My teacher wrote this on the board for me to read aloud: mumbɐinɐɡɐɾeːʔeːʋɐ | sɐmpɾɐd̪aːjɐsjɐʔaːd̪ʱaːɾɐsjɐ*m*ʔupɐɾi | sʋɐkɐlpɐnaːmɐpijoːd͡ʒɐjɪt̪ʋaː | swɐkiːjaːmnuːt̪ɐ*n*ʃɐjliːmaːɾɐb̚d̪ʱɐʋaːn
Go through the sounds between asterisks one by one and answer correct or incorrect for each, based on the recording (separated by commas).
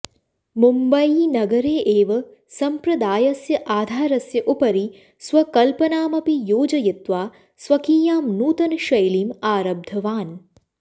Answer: incorrect, correct